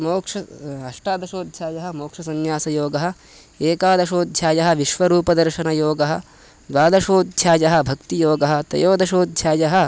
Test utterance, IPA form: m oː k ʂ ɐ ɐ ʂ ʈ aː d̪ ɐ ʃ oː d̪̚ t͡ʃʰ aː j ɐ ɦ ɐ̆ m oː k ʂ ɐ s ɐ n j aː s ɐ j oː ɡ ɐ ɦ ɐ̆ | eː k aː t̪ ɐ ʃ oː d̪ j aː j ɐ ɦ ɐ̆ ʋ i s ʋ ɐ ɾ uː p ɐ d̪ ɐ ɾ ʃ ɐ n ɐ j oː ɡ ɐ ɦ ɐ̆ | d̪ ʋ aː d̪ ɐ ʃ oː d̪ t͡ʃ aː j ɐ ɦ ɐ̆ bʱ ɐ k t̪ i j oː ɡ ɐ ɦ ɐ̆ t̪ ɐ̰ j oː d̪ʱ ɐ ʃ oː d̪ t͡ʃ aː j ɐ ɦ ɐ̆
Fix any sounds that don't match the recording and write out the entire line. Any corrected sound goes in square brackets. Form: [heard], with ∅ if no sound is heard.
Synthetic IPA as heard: m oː k ʂ ɐ ɐ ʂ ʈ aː d̪ ɐ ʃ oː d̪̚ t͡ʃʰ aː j ɐ ɦ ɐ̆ m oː k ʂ ɐ s ɐ n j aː s ɐ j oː ɡ ɐ ɦ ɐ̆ | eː k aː [d̪] ɐ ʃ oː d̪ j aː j ɐ ɦ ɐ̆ ʋ i [ʃ] ʋ ɐ ɾ uː p ɐ d̪ ɐ ɾ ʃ ɐ n ɐ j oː ɡ ɐ ɦ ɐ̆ | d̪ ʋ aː d̪ ɐ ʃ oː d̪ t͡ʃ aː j ɐ ɦ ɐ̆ bʱ ɐ k t̪ i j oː ɡ ɐ ɦ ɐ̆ t̪ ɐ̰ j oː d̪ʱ ɐ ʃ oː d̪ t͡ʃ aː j ɐ ɦ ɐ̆